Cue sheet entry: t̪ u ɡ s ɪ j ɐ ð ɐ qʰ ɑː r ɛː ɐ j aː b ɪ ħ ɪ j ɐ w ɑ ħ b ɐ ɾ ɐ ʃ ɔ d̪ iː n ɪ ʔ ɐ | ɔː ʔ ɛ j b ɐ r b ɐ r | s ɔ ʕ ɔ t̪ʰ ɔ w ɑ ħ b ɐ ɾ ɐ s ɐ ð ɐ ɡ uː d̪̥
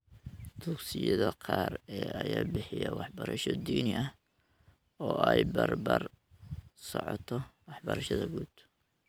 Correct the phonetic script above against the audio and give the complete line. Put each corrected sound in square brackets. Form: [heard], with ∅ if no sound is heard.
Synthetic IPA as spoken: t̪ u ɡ s ɪ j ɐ ð ɐ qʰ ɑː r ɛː ɐ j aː b ɪ ħ ɪ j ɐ w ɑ ħ b ɐ ɾ ɐ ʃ ɔ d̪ iː n ɪ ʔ ɐ | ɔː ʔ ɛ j b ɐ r b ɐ r | s ɔ ʕ ɔ t̪ʰ ɔ w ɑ ħ b ɐ ɾ ɐ [ʃ] ɐ ð ɐ ɡ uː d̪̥